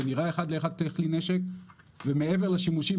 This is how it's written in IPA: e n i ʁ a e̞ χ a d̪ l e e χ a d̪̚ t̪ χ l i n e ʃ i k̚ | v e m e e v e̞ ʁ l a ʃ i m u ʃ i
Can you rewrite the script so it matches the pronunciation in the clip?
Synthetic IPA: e n i ʁ a e̞ χ a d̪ l e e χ a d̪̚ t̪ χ l i n e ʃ e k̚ | v e m e e v e̞ ʁ l a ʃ i m u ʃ i